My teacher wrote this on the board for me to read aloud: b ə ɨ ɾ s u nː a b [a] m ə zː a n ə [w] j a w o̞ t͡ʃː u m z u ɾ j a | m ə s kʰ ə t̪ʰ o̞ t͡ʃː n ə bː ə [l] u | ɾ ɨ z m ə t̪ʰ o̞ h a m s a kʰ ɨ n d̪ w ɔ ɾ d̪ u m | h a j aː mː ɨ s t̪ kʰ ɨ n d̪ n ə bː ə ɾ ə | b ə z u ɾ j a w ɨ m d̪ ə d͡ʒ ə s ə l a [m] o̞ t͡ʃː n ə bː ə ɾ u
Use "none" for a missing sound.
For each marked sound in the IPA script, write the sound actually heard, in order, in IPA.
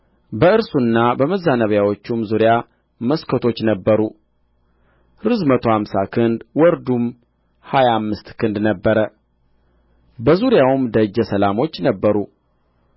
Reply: ə, β, ɾ, m

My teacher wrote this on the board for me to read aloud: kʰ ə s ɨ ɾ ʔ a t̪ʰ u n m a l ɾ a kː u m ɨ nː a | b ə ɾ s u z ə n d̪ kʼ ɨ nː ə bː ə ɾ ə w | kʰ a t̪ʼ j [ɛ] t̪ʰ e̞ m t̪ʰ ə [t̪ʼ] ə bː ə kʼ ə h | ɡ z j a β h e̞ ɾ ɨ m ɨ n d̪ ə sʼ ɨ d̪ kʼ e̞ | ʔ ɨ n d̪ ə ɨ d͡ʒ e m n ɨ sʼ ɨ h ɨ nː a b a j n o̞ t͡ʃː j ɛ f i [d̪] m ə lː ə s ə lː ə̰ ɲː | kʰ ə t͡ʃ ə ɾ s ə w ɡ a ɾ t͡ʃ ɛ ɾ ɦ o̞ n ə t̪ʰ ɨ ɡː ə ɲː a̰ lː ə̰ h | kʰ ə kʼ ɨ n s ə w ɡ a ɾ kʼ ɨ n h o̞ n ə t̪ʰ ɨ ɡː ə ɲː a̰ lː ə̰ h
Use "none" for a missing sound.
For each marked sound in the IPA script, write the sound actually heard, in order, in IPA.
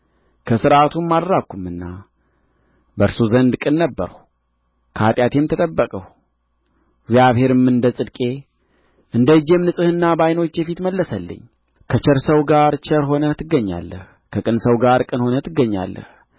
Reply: a, t̪ʼ, t̪

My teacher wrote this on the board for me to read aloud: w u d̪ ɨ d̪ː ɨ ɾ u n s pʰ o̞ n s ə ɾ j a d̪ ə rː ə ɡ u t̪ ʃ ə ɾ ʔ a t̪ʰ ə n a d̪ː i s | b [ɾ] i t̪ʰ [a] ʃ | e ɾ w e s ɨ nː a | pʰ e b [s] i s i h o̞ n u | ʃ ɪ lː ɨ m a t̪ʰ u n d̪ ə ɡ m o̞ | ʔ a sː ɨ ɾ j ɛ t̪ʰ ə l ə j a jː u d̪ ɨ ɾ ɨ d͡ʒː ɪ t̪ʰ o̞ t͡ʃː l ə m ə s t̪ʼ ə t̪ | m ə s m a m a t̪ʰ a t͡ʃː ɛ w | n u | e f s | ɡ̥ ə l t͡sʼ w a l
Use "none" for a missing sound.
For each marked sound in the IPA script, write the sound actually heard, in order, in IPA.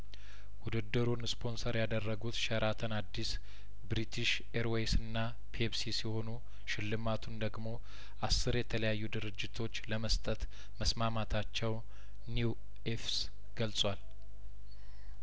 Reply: ɾ, i, s

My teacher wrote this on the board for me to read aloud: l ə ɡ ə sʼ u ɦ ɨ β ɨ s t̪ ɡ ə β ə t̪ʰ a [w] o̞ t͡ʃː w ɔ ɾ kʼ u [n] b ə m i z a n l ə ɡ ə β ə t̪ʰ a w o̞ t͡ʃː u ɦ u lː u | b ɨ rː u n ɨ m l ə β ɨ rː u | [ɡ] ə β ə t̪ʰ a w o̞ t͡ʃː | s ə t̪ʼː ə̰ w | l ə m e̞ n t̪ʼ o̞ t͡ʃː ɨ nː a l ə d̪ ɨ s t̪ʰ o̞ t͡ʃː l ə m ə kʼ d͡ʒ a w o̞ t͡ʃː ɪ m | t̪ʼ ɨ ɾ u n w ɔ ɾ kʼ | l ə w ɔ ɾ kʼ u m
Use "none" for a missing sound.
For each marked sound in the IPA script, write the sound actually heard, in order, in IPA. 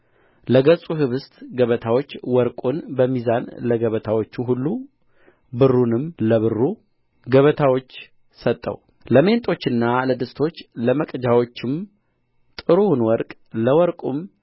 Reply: w, n, ɡ

